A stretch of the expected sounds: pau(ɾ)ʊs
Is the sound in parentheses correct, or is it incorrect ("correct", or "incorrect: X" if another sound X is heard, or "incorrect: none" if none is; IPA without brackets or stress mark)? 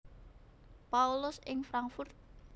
incorrect: l